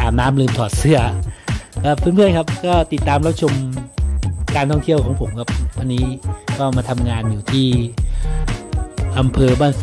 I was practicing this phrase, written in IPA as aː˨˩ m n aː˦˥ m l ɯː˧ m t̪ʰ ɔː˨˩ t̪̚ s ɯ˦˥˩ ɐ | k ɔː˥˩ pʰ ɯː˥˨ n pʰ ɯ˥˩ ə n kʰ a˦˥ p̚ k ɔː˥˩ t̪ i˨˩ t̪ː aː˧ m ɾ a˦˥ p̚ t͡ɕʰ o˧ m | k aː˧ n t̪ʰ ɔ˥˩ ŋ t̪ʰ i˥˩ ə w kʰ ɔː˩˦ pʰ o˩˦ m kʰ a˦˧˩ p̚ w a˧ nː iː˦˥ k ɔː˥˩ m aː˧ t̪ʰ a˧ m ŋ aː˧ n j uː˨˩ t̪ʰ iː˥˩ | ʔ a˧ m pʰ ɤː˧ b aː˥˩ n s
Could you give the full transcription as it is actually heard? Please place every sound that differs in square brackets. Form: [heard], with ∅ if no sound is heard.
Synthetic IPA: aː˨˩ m n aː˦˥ m l ɯː˧ m t̪ʰ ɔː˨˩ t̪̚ s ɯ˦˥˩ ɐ | k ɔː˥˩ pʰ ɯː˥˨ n pʰ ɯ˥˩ ə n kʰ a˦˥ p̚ k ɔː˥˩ t̪ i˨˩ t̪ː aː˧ m ɾ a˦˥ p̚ t͡ɕʰ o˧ m | k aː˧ n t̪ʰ ɔ˥˩ ŋ t̪ʰ i˥˩ ə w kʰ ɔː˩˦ pʰ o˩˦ m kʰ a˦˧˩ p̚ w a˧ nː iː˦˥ k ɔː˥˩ m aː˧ t̪ʰ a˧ m ŋ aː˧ n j uː˨˩ t̪ʰ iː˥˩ | ʔ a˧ m pʰ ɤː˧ b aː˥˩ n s